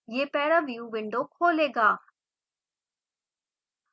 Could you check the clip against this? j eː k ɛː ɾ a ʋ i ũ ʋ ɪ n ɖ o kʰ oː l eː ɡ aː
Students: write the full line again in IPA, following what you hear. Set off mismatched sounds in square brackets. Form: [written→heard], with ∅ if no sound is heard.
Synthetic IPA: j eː [k→p] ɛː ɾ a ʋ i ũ ʋ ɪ [n→ɳ] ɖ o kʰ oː l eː ɡ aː